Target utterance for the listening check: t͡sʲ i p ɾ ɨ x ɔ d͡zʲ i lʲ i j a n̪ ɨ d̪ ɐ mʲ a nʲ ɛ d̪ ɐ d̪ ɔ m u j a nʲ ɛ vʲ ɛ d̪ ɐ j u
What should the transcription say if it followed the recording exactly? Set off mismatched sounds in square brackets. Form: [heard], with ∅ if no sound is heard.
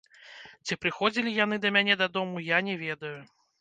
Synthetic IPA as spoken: t͡sʲ i p ɾ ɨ x ɔ d͡zʲ i lʲ i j a n̪ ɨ d̪ ɐ mʲ a nʲ ɛ d̪ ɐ d̪ ɔ m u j a nʲ ɛ vʲ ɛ d̪ ɐ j u